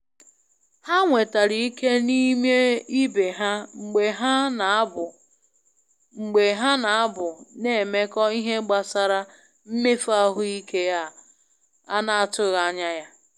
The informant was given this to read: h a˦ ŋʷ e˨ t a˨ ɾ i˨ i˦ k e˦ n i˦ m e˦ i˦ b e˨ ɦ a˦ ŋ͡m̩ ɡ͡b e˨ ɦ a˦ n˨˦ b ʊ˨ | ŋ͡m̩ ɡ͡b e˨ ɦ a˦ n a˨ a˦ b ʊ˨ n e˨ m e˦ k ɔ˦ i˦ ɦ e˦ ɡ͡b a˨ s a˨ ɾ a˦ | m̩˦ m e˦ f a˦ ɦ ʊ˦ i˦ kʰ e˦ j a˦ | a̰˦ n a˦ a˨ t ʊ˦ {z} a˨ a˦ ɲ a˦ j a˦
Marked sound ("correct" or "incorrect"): incorrect